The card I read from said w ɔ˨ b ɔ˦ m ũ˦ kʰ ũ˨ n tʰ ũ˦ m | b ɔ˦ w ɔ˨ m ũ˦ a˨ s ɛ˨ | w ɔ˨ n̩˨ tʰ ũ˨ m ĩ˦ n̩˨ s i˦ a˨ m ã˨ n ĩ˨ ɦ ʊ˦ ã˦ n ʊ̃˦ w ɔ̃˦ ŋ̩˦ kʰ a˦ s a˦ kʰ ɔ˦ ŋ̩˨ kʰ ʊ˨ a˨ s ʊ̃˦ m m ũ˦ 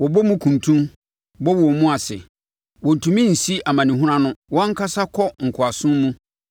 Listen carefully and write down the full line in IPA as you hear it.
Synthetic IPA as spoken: w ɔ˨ b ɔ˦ m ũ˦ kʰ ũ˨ n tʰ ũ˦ m | b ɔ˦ w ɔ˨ m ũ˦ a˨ s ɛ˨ | w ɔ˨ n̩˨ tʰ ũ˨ m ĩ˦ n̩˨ s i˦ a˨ m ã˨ n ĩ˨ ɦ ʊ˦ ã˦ n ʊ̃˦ w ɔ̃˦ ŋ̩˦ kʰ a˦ s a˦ kʰ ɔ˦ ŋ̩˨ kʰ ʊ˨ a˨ s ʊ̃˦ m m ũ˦